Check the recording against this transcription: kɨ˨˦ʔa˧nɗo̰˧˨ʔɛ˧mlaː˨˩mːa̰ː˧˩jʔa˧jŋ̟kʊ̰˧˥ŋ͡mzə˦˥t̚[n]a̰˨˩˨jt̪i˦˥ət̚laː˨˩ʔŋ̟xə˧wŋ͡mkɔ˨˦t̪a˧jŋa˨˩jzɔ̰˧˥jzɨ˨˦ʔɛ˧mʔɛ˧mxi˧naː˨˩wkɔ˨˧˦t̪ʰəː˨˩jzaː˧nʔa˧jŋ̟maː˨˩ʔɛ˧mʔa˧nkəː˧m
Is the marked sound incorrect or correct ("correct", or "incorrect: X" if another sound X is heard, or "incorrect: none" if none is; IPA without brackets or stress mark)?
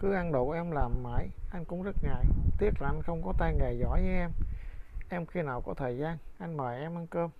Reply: incorrect: ŋ